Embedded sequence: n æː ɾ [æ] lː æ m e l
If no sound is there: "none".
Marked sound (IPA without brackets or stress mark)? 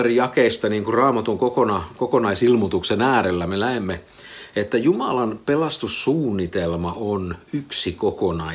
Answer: e